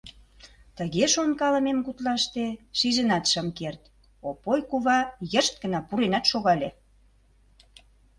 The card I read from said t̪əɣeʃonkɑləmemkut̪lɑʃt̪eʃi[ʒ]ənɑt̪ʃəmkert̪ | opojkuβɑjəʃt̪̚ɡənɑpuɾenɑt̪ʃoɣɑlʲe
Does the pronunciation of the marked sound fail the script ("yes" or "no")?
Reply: no